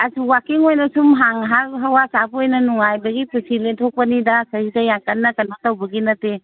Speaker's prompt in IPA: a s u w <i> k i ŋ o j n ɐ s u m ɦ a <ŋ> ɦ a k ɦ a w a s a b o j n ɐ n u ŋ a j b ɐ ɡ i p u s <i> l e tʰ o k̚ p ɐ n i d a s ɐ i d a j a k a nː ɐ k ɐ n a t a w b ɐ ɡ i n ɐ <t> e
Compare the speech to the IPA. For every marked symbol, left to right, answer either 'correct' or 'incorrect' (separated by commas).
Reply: incorrect, correct, correct, correct